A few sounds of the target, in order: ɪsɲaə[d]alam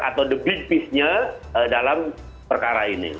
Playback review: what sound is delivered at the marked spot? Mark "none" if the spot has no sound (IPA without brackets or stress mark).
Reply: d